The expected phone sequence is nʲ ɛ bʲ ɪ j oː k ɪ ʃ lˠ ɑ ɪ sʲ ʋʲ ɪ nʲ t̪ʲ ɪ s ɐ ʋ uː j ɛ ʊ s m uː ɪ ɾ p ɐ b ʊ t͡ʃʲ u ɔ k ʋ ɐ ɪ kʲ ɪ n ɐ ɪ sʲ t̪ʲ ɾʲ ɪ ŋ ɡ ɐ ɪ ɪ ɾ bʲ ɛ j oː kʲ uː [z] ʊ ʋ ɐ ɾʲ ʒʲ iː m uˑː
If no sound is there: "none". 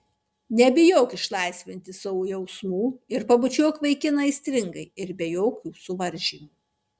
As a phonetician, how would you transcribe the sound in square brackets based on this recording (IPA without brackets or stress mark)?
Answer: s